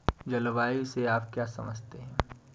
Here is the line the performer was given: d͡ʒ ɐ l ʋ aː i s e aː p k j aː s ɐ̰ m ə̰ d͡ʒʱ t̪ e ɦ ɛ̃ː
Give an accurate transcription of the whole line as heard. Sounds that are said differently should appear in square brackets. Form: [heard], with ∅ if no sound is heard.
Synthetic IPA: d͡ʒ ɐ l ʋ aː i s e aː p k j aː s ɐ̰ m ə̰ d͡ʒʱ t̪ e ɦ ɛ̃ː